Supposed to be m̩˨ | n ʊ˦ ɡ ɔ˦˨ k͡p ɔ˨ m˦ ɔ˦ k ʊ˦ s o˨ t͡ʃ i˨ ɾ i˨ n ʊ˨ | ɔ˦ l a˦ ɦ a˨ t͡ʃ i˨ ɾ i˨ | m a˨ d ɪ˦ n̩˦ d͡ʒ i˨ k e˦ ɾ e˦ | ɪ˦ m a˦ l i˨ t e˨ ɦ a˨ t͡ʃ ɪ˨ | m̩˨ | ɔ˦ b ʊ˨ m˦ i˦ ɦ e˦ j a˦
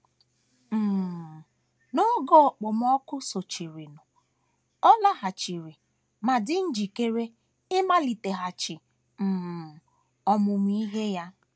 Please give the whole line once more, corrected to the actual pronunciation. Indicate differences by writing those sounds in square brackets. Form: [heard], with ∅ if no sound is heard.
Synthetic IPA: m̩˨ | n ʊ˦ ɡ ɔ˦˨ k͡p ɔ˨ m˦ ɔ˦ k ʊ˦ s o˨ t͡ʃ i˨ ɾ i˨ n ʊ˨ | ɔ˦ l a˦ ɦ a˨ t͡ʃ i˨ ɾ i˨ | m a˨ d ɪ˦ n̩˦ d͡ʒ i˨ k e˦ ɾ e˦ | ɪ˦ m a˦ l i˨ t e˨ ɦ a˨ t͡ʃ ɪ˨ | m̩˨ | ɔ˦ [m] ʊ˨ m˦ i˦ ɦ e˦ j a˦